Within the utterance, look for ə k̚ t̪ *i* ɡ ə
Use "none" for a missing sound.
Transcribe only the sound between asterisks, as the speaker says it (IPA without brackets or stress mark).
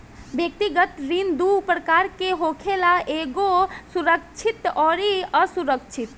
i